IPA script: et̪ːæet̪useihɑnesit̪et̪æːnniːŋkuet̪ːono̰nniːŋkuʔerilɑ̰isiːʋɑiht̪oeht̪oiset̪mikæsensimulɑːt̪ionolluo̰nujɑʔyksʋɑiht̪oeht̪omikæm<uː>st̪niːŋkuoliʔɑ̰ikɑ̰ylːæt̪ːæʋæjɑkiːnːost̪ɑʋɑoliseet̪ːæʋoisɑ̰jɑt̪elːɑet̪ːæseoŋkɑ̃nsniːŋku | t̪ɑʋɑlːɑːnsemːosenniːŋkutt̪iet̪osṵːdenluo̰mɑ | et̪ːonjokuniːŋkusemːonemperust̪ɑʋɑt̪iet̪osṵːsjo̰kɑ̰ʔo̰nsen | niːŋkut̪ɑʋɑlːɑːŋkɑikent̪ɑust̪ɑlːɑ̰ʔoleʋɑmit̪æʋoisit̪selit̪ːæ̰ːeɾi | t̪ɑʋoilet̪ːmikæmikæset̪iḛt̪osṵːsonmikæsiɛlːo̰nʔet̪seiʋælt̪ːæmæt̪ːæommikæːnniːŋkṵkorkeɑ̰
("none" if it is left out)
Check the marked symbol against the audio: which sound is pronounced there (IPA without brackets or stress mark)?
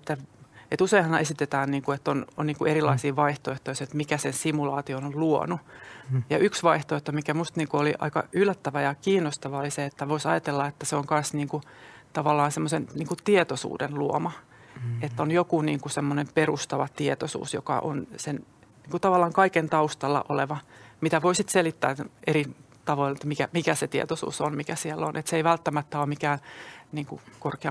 u